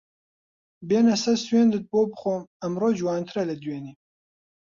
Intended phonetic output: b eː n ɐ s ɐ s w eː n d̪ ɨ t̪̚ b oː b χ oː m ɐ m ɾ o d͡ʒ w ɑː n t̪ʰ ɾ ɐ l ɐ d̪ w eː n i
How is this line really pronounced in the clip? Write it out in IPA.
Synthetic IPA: b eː n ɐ s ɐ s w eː n d̪ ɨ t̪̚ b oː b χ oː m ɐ m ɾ o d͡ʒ w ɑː n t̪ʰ ɾ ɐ l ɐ d̪ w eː n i